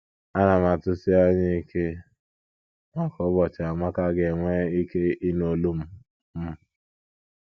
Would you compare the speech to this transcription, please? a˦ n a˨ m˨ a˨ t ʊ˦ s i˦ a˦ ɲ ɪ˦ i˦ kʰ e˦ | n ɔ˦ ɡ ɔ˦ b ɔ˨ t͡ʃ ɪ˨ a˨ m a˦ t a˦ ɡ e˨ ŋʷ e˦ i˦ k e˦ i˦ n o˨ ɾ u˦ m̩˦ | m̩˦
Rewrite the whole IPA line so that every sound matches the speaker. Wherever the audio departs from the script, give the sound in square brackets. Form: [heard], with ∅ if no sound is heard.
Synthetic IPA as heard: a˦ n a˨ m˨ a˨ t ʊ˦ s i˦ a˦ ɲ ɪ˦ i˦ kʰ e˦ | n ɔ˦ [k] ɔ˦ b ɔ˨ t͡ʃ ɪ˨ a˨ m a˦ [k] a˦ ɡ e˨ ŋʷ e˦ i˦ k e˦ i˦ n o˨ [l] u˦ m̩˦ | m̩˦